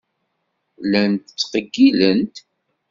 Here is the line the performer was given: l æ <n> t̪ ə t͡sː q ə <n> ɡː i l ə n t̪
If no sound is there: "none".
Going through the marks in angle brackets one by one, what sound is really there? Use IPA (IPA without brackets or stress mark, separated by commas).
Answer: n, none